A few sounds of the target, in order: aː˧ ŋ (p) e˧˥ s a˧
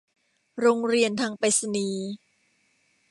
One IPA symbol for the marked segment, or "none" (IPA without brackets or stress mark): p